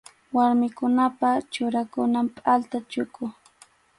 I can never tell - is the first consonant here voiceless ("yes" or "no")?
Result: no